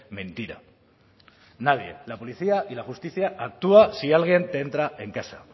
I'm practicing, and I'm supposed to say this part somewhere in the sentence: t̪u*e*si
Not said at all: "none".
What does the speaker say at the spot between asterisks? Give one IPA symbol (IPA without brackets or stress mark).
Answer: a